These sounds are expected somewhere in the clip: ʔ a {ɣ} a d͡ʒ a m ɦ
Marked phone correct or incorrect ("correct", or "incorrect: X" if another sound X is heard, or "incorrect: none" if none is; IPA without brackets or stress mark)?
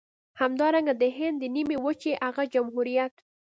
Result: correct